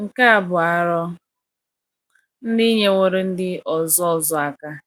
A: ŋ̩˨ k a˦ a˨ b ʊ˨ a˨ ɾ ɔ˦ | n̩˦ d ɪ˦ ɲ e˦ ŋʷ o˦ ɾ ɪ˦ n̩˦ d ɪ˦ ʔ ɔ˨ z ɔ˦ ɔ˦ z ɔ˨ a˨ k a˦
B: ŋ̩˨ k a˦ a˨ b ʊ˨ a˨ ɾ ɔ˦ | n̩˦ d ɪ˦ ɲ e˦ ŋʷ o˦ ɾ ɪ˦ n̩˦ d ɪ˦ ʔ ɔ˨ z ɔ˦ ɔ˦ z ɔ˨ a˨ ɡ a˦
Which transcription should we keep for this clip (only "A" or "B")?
A